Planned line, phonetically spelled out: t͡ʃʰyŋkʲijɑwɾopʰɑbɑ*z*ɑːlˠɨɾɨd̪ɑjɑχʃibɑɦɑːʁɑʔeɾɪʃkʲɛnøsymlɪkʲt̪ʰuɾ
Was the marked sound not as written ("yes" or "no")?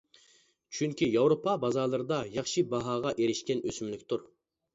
no